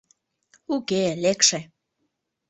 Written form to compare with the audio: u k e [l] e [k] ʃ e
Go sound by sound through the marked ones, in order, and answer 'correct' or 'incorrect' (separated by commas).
correct, correct